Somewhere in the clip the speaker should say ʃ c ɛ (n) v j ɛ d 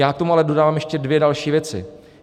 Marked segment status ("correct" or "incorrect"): incorrect